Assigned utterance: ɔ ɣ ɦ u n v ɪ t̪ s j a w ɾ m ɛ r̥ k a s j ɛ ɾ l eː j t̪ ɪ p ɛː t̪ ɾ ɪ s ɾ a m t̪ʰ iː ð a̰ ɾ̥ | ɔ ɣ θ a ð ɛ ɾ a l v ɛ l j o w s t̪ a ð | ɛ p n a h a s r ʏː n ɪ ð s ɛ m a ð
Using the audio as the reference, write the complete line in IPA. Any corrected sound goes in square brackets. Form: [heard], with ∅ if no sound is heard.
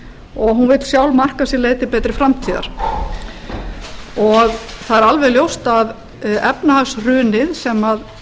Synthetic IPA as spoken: ɔ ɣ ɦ u n v ɪ t̪ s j a w [l] m [a] r̥ k a s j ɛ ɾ l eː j t̪ ɪ p ɛː t̪ ɾ ɪ [f] ɾ a m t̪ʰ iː ð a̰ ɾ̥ | ɔ ɣ θ a ð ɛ ɾ a l v ɛ l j o w s t̪ a ð | ɛ p n a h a s r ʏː n ɪ ð s ɛ m a ð